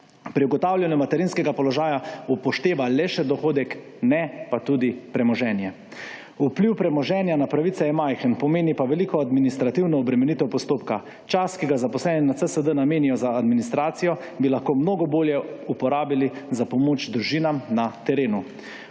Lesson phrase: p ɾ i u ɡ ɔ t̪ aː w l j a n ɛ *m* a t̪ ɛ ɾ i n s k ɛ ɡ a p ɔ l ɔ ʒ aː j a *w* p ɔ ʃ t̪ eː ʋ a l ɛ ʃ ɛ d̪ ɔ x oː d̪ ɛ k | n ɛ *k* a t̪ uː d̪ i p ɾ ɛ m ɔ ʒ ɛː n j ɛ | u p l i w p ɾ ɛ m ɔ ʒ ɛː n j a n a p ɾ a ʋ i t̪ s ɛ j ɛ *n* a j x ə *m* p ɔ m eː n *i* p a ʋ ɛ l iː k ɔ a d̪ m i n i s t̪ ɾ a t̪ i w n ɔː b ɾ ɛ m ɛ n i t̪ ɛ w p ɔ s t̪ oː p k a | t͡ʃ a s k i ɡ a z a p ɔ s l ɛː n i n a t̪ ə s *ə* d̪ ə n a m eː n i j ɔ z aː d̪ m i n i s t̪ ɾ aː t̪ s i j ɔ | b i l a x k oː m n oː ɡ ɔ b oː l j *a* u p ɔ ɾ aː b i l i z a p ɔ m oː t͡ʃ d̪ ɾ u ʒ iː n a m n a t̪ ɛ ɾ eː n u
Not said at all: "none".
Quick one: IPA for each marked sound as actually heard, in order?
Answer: m, u, p, m, n, i, ə, ɛ

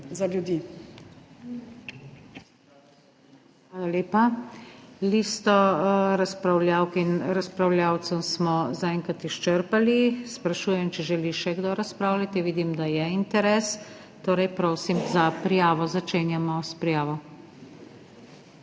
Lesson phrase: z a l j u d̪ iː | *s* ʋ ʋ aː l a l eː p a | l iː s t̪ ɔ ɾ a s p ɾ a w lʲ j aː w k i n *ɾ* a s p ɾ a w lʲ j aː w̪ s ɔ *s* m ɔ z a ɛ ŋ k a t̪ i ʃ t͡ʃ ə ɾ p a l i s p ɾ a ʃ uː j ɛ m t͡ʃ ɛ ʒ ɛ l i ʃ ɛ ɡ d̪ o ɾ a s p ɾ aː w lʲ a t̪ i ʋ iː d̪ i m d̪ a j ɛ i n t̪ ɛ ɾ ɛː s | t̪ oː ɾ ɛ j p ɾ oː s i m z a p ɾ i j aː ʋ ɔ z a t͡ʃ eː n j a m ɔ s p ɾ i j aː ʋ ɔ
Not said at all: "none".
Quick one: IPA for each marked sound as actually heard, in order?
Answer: x, ɾ, s

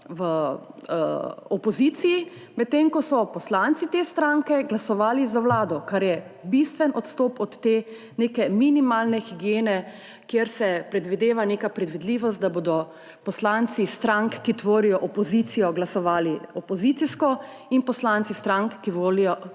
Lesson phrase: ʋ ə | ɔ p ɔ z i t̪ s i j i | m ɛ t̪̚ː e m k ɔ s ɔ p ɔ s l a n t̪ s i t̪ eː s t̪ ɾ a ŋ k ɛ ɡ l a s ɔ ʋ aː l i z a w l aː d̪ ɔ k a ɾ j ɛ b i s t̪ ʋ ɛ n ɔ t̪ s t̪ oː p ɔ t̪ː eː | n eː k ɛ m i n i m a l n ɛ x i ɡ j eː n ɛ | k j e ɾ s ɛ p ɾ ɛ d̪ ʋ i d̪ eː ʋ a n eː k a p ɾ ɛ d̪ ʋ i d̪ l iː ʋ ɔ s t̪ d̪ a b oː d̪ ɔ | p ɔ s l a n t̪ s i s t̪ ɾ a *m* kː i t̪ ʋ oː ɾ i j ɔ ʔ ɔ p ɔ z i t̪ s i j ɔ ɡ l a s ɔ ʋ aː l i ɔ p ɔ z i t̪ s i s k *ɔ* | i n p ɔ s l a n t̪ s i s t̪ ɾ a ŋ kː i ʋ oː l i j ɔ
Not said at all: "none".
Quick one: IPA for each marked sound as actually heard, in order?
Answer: ŋ, ɔ

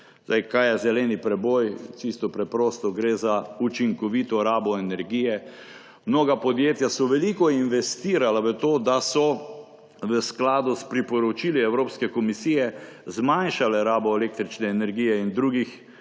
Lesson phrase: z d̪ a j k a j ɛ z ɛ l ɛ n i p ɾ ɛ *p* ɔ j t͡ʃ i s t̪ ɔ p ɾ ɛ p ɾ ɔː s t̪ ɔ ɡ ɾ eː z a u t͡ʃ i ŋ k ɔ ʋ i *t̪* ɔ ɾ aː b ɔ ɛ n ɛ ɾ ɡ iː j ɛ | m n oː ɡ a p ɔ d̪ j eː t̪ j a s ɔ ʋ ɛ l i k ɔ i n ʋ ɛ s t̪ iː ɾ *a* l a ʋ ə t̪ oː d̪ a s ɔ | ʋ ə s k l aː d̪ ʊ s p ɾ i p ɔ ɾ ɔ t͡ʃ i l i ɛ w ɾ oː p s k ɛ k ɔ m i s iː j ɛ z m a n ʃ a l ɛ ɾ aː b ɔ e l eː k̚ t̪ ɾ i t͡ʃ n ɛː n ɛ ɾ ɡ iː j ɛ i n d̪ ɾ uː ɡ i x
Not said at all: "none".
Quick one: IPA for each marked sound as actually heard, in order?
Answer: b, t̪, a

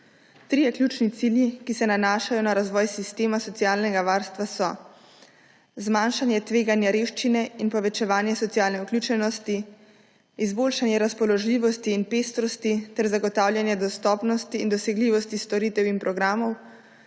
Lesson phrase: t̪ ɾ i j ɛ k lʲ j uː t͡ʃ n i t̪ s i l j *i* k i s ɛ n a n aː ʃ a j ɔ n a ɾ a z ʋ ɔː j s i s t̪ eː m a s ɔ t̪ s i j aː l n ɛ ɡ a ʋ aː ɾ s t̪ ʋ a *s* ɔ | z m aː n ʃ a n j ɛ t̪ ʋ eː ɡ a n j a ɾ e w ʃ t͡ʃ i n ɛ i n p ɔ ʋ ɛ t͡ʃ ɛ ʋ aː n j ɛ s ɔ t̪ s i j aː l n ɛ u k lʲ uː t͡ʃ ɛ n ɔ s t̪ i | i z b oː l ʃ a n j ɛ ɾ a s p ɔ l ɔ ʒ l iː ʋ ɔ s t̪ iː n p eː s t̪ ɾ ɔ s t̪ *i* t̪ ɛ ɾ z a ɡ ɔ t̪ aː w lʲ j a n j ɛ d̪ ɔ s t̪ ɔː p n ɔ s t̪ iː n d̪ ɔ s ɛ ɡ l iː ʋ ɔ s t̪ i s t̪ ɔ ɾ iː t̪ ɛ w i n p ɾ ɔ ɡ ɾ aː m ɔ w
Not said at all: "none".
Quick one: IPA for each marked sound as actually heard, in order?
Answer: i, s, i

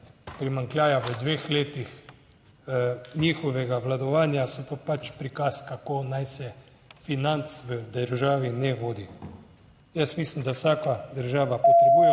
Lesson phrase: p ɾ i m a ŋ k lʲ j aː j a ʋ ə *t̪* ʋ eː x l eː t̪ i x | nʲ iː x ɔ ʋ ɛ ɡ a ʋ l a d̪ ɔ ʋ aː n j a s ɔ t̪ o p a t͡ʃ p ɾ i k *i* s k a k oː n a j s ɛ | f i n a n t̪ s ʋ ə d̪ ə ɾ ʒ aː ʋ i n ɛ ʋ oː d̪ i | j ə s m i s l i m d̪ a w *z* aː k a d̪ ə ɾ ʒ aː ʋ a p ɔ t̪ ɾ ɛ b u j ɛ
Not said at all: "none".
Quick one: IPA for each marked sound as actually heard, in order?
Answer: d̪, a, s

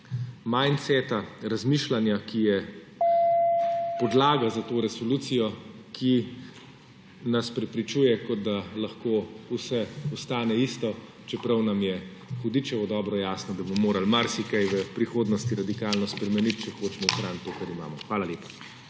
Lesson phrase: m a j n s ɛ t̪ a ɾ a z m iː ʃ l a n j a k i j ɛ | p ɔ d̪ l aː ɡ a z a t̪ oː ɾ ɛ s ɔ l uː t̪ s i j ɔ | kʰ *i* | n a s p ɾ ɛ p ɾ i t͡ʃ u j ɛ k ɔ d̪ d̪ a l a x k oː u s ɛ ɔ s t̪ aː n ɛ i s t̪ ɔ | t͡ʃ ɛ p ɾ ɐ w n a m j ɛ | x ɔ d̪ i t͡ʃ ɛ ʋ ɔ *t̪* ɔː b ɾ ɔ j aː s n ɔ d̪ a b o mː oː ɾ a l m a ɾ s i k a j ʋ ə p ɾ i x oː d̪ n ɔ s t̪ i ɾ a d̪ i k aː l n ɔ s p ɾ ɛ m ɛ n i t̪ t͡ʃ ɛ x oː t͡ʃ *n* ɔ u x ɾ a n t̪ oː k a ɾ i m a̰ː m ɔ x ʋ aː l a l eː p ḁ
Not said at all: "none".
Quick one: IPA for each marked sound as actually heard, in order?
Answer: i, d̪, m

